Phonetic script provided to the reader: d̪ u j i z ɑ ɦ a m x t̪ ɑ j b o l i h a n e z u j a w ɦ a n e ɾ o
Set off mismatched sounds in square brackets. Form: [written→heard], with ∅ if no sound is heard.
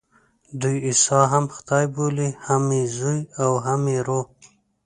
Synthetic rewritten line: d̪ u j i [z→s] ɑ ɦ a m x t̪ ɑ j b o l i h a [n→m] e z u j a w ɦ a [n→m] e ɾ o